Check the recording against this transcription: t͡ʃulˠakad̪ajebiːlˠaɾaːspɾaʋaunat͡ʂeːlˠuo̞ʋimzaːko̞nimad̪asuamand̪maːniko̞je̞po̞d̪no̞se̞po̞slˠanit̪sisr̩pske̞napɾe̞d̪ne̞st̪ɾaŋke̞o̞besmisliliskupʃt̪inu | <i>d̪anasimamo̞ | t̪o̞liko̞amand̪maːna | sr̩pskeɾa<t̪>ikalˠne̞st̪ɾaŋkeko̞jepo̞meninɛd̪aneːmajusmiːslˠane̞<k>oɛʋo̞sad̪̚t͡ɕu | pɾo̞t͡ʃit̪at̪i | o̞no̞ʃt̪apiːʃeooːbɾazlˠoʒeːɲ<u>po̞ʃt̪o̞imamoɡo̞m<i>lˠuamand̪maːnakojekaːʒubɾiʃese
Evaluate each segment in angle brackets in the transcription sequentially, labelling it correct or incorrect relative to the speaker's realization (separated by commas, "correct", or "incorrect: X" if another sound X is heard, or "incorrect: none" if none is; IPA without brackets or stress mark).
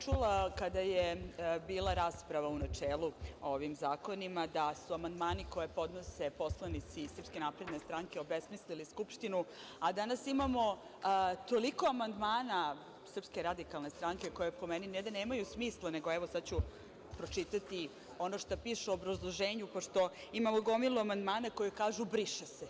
incorrect: a, incorrect: d̪, incorrect: ɡ, correct, correct